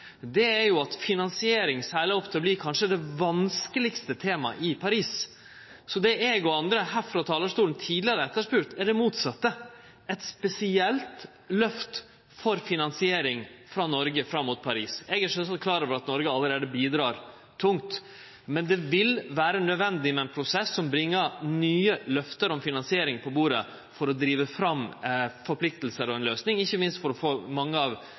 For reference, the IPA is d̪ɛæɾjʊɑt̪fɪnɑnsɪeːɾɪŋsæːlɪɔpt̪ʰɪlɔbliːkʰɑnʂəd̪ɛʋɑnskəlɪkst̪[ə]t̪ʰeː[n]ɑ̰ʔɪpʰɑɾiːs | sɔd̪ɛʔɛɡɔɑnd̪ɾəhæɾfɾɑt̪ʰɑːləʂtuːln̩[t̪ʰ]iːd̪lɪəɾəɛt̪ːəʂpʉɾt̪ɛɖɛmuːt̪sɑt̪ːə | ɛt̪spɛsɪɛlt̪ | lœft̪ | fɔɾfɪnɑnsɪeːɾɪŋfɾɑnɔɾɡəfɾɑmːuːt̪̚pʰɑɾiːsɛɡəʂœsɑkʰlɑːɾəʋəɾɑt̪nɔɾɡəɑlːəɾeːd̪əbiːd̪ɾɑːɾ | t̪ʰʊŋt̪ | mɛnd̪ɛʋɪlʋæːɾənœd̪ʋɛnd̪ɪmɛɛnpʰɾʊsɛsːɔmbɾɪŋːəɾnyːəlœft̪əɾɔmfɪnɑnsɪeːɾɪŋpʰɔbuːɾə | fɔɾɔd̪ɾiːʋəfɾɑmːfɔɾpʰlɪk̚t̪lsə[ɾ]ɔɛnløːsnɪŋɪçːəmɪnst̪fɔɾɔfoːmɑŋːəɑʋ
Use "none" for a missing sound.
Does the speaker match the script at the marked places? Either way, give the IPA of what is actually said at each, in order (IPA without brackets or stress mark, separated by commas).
ə, m, t̪ʰ, ɾ